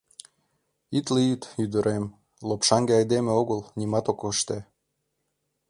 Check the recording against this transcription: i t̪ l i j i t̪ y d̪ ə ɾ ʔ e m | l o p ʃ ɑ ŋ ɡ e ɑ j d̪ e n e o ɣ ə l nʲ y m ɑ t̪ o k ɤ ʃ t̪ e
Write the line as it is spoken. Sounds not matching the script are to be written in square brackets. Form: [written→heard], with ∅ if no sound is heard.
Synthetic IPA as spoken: i t̪ l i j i t̪ y d̪ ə ɾ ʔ e m | l o p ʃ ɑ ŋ ɡ e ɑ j d̪ e [n→m] e o ɣ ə l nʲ [y→i] m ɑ t̪ o k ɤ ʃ t̪ e